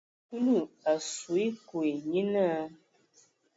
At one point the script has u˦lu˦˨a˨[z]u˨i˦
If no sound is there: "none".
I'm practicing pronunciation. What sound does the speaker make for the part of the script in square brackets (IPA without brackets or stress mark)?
s